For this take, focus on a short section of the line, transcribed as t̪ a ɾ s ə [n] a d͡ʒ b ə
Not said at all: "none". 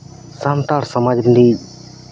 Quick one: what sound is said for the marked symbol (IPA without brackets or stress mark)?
m